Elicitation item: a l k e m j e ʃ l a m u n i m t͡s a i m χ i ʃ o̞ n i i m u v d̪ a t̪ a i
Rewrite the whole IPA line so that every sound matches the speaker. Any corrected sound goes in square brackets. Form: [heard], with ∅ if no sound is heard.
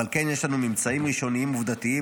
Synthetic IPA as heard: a l k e [n] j e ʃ l a [n] u [m] i m t͡s a i m [ʁ] i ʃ o̞ n i i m u v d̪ a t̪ [i] i